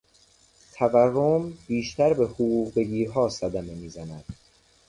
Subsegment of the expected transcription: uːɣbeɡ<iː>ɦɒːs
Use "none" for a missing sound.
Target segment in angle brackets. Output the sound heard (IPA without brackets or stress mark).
iː